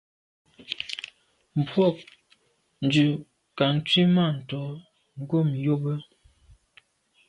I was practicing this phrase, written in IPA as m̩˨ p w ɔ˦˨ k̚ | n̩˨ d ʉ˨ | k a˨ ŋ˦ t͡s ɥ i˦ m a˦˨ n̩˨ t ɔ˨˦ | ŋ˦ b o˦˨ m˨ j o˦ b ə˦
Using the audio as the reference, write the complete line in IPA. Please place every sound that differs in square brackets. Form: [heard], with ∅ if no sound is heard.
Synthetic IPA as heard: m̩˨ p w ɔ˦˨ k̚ | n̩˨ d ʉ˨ | k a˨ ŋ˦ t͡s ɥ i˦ m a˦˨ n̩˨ t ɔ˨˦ | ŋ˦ [ɡ] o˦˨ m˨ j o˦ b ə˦